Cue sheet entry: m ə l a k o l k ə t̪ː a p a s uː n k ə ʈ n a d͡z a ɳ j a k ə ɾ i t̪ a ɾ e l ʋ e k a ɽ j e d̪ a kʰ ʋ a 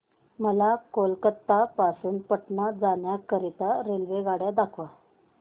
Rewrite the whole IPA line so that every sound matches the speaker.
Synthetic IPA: m ə l a k o l k ə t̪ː a p a s uː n p ə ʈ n a d͡z a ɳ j a k ə ɾ i t̪ a ɾ e l ʋ e ɡ a ɽ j a d̪ a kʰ ʋ a

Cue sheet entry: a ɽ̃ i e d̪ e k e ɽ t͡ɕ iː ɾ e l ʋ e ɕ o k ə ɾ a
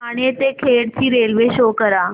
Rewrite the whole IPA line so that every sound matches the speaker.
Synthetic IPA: a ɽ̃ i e t̪ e kʰ e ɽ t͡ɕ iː ɾ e l ʋ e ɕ o k ə ɾ a

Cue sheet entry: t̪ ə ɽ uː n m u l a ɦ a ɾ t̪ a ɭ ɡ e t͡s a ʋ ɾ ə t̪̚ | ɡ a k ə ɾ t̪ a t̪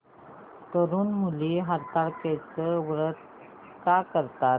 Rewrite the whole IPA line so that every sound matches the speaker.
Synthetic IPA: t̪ ə ɾ uː n m u l i ɦ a ɾ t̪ a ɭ k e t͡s ə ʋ ɾ ə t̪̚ | k a k ə ɾ t̪ a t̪

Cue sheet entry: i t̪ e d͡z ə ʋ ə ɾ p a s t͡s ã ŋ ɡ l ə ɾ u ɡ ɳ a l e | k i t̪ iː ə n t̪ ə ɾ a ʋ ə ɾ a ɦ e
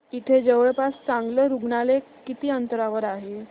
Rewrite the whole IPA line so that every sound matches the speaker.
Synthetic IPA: i t̪ʰ e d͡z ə ʋ ə ɭ p a s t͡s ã ŋ ɡ l ə ɾ u ɡ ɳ a l e | k i t̪ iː ə n t̪ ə ɾ a ʋ ə ɾ a ɦ e

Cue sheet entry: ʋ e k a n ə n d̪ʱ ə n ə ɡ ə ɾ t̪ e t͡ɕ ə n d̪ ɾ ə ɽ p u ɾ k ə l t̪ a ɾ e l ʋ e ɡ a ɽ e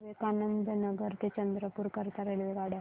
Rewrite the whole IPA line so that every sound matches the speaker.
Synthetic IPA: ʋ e k a n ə n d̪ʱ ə n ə ɡ ə ɾ t̪ e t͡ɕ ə n d̪ ɾ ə p u ɾ k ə ɾ t̪ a ɾ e l ʋ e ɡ a ɽ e

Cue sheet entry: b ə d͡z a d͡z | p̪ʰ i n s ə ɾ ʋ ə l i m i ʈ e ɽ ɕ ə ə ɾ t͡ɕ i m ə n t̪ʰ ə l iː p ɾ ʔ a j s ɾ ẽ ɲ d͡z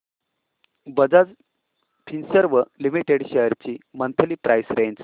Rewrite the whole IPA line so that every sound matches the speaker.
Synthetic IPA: b ə d͡z a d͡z | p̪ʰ i n s ə ɾ ʋ ə l i m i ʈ e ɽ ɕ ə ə ɾ t͡ɕ i m ə n t̪ʰ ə l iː p ɾ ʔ a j s ɾ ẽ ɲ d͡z

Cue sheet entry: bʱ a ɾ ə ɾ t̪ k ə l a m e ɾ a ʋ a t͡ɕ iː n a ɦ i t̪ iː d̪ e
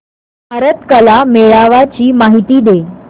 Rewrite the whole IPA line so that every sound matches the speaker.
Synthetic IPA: bʱ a ɾ ə t̪ k ə l a m e ɭ a ʋ a t͡ɕ iː m a ɦ i t̪ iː d̪ e

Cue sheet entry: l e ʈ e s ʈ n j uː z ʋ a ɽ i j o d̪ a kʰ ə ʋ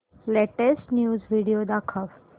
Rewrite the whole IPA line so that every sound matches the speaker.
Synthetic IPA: l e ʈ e s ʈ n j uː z ʋ i ɽ i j o d̪ a kʰ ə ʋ

